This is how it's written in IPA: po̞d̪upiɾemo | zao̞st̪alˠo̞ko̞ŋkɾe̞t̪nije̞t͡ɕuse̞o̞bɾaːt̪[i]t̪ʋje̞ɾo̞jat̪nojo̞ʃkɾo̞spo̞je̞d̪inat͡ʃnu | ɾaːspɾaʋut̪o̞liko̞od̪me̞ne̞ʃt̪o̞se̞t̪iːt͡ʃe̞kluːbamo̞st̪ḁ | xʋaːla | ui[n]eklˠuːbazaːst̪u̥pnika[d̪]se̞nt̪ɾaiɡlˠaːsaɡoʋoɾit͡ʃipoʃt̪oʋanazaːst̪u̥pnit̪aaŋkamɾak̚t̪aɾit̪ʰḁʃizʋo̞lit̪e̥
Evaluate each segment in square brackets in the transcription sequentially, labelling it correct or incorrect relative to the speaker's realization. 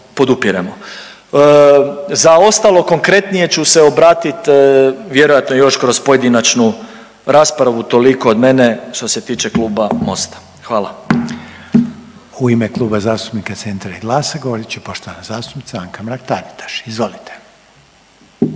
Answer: correct, incorrect: m, incorrect: t̪

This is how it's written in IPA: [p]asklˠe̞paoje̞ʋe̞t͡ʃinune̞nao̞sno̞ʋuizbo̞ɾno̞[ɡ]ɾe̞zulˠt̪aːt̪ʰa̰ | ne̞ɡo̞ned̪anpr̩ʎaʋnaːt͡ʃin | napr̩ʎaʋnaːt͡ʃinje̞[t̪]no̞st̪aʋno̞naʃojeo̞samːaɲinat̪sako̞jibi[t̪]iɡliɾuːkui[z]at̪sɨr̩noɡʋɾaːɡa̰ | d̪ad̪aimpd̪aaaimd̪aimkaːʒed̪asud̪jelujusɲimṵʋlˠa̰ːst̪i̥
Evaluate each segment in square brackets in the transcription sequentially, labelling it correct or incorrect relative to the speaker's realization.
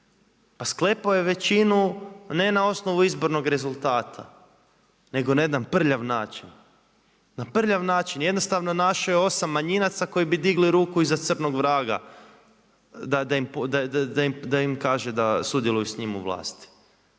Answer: correct, correct, incorrect: d̪, incorrect: d̪, correct

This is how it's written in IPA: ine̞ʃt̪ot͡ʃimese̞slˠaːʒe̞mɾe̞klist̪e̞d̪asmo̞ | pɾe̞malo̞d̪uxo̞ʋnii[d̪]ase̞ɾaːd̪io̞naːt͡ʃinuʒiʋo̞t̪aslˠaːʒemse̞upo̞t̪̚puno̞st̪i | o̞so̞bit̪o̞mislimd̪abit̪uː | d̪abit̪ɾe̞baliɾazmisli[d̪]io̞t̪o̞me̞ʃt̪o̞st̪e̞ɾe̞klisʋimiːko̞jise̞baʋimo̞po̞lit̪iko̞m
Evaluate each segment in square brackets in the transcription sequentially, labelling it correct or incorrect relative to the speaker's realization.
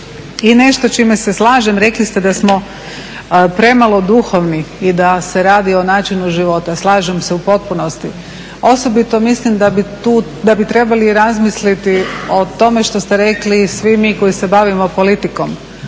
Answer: correct, incorrect: t̪

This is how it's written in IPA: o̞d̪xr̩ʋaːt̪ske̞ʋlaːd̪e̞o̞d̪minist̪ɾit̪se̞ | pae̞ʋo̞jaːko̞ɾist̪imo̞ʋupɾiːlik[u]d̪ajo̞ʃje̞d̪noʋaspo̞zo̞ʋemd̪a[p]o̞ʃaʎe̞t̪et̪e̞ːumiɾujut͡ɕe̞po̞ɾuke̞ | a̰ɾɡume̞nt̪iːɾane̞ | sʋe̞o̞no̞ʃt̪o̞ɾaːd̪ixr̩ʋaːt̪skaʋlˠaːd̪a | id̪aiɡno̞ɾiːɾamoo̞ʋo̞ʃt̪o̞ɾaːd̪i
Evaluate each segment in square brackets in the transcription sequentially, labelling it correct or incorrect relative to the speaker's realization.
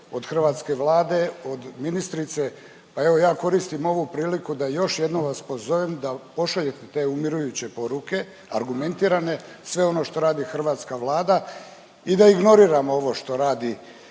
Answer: correct, correct

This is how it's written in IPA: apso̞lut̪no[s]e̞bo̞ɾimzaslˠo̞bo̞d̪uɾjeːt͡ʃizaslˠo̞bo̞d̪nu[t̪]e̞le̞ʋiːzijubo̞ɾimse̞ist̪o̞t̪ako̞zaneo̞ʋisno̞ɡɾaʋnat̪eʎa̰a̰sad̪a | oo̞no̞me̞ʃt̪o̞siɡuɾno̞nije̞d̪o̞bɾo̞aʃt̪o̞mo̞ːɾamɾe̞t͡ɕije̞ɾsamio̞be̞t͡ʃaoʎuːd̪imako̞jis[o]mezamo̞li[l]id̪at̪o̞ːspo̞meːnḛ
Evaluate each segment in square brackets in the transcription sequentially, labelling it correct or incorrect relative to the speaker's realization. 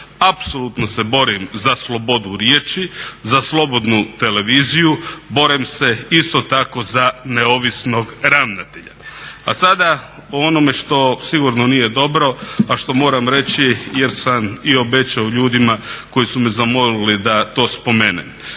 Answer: correct, correct, incorrect: u, correct

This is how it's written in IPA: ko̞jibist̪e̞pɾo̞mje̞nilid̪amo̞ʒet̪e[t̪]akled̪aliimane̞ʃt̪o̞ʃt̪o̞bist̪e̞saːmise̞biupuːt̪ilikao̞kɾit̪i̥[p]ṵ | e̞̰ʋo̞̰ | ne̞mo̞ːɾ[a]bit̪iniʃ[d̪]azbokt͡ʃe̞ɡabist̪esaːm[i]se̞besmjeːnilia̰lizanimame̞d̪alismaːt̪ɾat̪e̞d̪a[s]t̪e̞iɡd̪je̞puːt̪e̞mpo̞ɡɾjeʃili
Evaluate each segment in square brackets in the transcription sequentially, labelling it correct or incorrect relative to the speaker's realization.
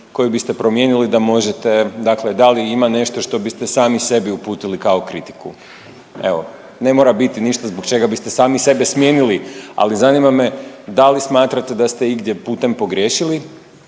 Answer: incorrect: d̪, incorrect: k, correct, incorrect: t̪, correct, correct

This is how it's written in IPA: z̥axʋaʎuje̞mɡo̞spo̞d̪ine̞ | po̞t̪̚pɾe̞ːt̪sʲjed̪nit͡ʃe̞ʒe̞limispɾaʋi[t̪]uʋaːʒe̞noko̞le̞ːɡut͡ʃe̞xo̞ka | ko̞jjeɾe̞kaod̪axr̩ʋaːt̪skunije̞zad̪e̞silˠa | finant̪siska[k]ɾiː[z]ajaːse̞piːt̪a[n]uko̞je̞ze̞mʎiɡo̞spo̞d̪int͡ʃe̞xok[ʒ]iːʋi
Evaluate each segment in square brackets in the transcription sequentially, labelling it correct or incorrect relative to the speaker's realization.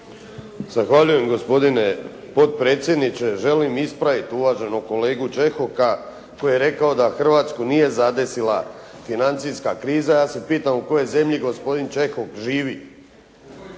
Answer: correct, correct, correct, incorrect: m, correct

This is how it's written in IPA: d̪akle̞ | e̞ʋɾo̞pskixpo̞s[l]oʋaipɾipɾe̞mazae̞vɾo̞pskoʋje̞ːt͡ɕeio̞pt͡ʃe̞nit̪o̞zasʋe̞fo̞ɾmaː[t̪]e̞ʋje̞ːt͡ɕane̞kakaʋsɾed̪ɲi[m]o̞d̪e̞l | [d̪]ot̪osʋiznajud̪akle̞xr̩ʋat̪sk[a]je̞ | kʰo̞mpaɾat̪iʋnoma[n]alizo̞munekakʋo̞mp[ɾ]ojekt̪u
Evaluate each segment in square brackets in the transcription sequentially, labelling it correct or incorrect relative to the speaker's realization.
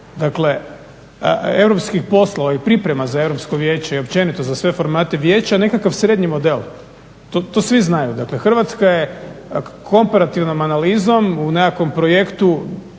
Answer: correct, correct, correct, incorrect: t̪, correct, correct, correct

